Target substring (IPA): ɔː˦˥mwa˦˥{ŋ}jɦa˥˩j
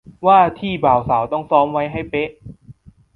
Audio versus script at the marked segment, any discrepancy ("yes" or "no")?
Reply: yes